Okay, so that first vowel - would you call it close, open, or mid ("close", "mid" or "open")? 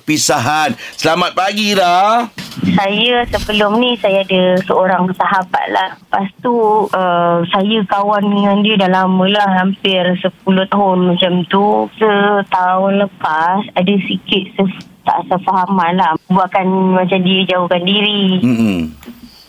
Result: close